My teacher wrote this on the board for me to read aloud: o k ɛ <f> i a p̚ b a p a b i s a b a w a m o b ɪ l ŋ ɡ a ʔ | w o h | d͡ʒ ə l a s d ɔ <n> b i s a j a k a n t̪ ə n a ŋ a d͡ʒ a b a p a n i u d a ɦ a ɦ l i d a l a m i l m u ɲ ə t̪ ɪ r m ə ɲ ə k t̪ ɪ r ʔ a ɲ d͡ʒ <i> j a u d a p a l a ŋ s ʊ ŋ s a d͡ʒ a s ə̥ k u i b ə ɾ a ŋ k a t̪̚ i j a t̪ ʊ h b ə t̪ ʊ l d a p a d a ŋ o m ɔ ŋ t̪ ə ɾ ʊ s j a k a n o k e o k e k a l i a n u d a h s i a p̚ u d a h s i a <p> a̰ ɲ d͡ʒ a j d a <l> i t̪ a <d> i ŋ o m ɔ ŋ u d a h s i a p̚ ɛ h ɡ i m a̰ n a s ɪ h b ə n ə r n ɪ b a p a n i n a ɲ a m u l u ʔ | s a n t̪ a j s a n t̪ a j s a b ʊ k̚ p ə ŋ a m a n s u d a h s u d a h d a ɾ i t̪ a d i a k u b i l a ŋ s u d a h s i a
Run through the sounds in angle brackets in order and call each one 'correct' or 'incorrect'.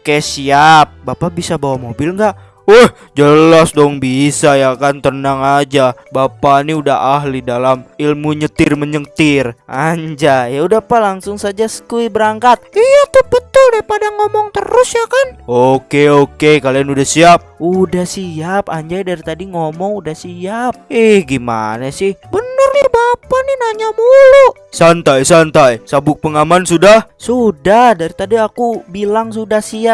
incorrect: s, incorrect: ŋ, incorrect: a, correct, incorrect: ɾ, correct

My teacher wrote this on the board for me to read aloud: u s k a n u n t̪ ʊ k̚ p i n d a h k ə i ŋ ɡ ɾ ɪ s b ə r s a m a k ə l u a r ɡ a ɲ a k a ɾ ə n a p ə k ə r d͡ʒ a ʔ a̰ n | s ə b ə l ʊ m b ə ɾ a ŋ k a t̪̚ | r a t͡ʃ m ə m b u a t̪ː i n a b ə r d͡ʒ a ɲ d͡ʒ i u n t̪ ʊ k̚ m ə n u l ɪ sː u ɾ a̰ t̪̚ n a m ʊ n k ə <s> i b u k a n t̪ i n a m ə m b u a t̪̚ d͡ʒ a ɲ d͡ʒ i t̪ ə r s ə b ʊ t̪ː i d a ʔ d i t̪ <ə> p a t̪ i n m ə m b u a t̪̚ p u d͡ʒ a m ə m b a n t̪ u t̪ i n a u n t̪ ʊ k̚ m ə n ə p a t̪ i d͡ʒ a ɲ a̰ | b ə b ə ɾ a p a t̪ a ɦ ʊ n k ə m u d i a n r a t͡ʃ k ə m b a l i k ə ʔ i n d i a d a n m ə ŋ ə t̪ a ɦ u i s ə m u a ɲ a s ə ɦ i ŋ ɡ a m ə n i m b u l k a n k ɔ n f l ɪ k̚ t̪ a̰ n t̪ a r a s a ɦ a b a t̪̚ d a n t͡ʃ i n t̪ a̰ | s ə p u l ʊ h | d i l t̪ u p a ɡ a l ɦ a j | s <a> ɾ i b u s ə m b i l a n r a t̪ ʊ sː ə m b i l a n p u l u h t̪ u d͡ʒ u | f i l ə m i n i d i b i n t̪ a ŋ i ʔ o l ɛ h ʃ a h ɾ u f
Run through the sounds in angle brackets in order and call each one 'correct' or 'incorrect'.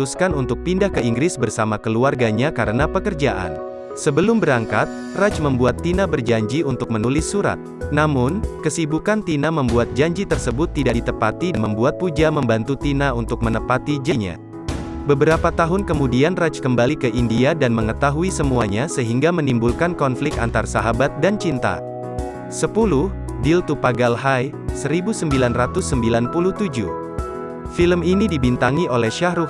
correct, correct, incorrect: ə

